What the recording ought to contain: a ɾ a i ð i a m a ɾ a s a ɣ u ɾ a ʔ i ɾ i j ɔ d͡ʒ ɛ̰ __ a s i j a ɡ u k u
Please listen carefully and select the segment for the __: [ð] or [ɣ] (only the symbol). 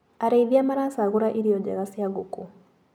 ɣ